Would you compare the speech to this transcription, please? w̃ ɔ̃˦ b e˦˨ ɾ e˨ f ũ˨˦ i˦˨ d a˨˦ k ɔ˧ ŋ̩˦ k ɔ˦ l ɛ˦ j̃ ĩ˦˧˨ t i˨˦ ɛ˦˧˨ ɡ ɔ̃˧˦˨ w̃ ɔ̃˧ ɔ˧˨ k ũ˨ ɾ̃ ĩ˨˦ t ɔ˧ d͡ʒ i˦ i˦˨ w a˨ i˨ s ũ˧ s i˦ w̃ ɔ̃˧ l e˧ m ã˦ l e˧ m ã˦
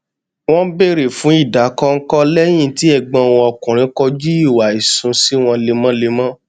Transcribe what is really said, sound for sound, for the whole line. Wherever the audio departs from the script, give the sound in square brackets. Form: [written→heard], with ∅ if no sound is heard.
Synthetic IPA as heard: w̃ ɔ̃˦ b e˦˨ ɾ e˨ f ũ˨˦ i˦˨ d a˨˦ k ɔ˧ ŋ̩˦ k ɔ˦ l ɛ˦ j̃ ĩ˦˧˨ t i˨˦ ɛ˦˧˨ [ɡ→ɡ͡b] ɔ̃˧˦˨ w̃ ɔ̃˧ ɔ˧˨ k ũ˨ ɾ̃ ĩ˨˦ [t→k] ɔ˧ d͡ʒ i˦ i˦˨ w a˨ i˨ s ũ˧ s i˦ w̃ ɔ̃˧ l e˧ m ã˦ l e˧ m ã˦

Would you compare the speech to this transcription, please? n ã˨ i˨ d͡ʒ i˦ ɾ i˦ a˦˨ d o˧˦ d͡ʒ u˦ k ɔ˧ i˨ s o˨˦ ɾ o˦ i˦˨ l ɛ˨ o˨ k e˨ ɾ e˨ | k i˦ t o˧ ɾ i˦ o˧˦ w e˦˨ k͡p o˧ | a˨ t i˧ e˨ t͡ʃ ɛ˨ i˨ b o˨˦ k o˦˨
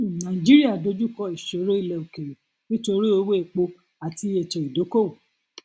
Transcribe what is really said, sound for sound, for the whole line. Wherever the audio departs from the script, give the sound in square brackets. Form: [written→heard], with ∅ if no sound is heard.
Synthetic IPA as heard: n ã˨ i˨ d͡ʒ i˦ ɾ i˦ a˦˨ d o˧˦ d͡ʒ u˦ k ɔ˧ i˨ [s→ʃ] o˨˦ ɾ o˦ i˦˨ l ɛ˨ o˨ k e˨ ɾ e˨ | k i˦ t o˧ ɾ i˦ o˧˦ w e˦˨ k͡p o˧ | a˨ t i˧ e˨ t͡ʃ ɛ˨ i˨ [b→d] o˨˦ k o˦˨

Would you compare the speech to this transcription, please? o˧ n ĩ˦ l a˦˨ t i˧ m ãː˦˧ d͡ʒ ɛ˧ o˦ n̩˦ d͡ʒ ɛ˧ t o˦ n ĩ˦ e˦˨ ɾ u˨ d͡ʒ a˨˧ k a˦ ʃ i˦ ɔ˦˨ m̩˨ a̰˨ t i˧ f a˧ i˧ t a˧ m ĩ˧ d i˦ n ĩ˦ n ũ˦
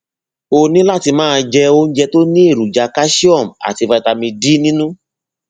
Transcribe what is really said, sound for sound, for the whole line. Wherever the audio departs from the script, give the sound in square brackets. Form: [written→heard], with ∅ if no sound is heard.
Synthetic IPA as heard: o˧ n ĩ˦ l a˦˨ t i˧ m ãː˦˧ d͡ʒ ɛ˧ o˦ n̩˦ d͡ʒ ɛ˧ t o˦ n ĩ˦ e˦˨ ɾ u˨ d͡ʒ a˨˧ k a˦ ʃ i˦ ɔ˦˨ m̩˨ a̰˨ t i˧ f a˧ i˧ t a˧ m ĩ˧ d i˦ n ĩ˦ n ũ˦

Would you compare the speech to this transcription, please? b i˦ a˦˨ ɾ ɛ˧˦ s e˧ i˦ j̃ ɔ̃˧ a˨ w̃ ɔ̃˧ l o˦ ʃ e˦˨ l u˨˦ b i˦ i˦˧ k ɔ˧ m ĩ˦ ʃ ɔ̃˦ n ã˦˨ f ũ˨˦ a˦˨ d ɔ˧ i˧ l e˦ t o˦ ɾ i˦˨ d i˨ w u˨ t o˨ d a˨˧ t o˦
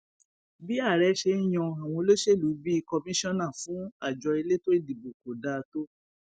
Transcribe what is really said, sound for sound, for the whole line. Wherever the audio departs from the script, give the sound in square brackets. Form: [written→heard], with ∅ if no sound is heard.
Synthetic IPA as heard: b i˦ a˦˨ ɾ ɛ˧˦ [s→ʃ] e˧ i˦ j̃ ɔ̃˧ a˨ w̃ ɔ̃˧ l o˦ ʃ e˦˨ l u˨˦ b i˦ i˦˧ k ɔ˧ m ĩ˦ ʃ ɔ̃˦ n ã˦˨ f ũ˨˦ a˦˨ [d→d͡ʒ] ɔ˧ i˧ l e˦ t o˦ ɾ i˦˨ d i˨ [w→b] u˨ [t→k] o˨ d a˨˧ t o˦

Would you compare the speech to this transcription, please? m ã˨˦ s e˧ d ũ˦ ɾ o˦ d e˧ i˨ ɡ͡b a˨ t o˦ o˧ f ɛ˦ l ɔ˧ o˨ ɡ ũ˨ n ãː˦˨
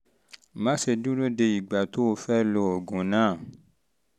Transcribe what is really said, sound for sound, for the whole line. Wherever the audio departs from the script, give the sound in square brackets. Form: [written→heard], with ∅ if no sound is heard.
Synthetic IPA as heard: m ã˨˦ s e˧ d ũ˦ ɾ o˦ d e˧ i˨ ɡ͡b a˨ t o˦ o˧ f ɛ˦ l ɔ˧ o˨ ɡ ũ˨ n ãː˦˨

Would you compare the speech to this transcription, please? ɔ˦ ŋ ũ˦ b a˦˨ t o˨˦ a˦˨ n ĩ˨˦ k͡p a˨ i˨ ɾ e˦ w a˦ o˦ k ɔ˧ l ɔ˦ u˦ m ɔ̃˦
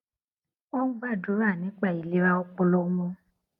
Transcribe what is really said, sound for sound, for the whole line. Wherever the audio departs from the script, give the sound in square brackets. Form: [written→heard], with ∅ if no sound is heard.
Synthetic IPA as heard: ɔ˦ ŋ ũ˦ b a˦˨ [t→d] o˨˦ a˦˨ n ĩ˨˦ k͡p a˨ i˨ [ɾ→l] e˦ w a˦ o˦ [k→k͡p] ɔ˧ l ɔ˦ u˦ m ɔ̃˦

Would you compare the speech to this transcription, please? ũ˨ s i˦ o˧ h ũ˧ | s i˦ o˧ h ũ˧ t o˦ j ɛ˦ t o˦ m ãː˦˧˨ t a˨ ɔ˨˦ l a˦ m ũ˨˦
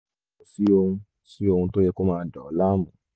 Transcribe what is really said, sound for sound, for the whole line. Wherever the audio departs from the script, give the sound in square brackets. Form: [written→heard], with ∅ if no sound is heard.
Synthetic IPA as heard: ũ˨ s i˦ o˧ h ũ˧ | s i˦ o˧ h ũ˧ t o˦ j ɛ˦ [t→k] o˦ m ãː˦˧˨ [t→d] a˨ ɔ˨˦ l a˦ m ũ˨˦

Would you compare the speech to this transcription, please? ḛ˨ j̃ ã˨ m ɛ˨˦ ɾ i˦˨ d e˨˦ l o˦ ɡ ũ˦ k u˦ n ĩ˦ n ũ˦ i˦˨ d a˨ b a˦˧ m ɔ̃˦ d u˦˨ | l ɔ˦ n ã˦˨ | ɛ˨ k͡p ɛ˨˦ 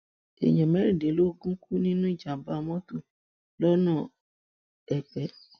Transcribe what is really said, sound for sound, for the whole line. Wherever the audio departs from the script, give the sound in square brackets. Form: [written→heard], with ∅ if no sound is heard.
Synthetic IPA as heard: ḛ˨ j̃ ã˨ m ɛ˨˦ ɾ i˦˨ d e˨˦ l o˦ ɡ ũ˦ k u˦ n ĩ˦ n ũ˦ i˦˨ [d→d͡ʒ] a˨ b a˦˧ m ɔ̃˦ [d→t] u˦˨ | l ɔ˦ n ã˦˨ | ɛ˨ k͡p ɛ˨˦

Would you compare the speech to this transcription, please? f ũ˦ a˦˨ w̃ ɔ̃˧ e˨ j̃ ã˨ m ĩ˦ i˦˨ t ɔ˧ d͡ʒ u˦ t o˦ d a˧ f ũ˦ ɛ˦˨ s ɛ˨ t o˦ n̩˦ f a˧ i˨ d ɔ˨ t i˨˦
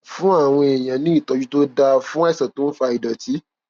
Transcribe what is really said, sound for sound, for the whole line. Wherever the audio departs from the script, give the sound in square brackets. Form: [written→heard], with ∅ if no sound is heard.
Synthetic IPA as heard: f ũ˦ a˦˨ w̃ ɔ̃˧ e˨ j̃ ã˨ [m→n] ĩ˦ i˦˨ t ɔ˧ d͡ʒ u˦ t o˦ d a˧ f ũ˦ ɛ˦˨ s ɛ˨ t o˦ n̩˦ f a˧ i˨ d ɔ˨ t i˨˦

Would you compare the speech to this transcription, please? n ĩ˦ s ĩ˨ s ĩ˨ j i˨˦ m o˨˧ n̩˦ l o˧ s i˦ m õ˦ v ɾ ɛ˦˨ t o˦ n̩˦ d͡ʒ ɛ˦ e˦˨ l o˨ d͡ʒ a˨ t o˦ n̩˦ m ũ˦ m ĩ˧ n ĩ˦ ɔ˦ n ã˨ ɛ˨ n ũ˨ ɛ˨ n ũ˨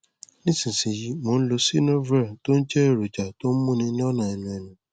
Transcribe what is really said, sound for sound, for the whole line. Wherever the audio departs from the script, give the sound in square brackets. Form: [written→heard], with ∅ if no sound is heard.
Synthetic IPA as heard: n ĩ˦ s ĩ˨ s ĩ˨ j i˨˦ m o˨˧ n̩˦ l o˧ s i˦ [m→n] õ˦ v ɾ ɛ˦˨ t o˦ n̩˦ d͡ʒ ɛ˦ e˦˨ [l→ɾ] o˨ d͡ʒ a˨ t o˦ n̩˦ m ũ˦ [m→n] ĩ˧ n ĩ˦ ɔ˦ n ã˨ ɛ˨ n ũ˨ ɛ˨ n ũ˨

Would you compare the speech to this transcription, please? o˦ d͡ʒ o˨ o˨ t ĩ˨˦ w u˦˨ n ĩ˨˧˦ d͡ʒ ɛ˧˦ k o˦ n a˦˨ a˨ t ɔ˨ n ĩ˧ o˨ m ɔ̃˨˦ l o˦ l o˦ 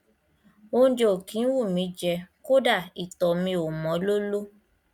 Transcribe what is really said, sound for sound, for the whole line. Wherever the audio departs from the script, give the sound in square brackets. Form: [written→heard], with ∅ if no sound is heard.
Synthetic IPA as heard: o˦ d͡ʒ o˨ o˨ [t→k] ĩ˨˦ w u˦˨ [n→m] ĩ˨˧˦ d͡ʒ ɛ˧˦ k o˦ [n→d] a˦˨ [a˨→i˨] t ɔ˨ [n→m] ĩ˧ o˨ m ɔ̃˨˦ l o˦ l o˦

